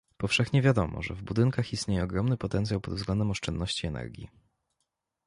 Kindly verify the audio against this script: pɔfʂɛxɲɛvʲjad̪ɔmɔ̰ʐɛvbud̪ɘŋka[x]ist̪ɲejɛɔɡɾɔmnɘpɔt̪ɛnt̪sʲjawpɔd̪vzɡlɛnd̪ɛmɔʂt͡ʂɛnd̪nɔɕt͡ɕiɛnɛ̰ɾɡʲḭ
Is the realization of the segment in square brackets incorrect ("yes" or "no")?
no